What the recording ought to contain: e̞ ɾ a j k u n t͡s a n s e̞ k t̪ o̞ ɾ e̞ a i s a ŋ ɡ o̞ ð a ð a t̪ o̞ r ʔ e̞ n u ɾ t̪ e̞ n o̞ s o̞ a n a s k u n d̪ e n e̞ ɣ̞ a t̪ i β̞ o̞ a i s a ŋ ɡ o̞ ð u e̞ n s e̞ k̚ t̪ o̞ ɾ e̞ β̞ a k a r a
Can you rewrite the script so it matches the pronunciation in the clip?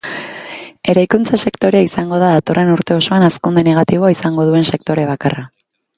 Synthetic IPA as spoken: e̞ ɾ a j k u n t͡s a s e̞ k t̪ o̞ ɾ e̞ a i s a ŋ ɡ o̞ ð a ð a t̪ o̞ r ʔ e̞ n u ɾ t̪ e̞ o̞ s o̞ a n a s k u n d̪ e n e̞ ɣ̞ a t̪ i β̞ o̞ a i s a ŋ ɡ o̞ ð u e̞ n s e̞ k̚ t̪ o̞ ɾ e̞ β̞ a k a r a